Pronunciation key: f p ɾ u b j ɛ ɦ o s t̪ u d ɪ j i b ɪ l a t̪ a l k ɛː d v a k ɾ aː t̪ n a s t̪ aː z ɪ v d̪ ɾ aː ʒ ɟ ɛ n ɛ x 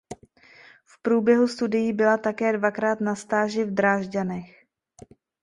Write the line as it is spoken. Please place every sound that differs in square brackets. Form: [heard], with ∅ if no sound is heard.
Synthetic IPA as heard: f p ɾ [uː] b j ɛ ɦ [u] s t̪ u d ɪ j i b ɪ l a t̪ a [∅] k ɛː d v a k ɾ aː t̪ n a s t̪ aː [ʒ] ɪ v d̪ ɾ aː ʒ ɟ [a] n ɛ x